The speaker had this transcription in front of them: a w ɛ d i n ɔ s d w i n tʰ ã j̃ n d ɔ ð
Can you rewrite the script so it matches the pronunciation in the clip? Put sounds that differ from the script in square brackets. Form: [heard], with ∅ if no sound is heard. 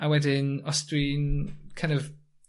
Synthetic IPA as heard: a w ɛ d [ɪ] n ɔ s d w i n [kʰ] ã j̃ n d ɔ [v]